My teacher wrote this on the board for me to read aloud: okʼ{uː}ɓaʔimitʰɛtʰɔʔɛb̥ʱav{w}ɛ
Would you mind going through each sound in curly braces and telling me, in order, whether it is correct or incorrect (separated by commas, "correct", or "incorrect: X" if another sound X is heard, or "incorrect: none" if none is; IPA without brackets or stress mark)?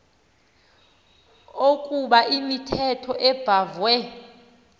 incorrect: u, correct